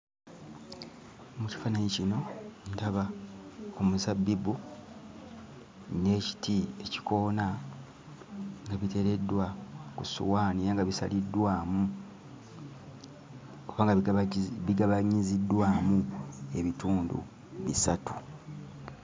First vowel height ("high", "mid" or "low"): high